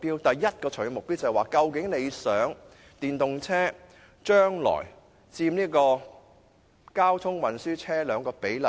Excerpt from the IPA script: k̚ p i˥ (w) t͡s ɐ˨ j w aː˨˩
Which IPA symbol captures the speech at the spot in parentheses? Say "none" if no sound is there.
w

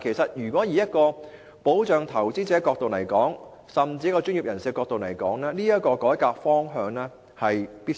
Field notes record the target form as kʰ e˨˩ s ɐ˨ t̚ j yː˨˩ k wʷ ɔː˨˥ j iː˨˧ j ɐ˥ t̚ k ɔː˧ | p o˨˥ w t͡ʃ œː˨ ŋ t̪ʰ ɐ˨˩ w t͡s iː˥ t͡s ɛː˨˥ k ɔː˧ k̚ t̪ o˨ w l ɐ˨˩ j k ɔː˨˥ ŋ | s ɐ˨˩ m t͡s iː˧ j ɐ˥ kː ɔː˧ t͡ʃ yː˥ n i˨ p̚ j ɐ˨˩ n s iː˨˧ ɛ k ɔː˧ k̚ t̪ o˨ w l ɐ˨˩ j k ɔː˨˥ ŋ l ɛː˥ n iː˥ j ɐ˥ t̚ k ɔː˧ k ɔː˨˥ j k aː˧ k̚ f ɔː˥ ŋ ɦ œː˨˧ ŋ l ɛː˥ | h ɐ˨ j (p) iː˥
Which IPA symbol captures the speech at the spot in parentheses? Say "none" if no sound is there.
p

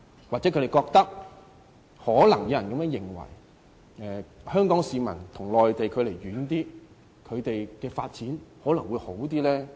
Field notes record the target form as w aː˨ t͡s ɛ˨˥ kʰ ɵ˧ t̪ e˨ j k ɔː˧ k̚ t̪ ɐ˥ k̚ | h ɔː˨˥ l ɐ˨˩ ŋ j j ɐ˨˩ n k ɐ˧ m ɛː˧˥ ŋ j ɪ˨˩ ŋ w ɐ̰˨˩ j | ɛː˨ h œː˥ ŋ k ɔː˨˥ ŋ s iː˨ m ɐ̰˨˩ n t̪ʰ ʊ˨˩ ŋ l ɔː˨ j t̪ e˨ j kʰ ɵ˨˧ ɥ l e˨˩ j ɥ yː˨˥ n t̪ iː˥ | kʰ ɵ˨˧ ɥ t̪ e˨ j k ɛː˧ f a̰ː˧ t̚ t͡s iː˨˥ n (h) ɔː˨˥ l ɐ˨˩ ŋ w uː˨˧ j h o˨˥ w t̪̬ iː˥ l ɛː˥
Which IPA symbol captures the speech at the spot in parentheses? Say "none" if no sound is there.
h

